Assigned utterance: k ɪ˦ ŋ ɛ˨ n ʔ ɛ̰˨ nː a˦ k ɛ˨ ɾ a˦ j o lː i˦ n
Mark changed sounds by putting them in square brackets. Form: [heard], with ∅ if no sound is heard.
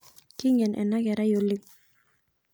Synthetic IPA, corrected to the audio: k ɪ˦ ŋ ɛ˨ n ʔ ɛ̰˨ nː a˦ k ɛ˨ ɾ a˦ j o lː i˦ [ŋ]